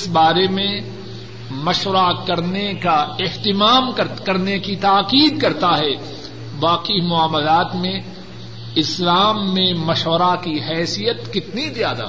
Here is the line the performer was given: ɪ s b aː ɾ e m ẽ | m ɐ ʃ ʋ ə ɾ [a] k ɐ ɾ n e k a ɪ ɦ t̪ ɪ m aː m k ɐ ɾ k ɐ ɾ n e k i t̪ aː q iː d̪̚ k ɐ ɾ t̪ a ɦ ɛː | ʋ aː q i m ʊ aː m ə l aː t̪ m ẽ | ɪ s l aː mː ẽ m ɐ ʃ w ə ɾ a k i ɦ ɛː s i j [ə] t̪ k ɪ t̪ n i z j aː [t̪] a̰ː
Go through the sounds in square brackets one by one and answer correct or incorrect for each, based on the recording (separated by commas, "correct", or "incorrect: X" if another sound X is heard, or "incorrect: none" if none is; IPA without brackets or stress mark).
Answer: correct, correct, incorrect: d̪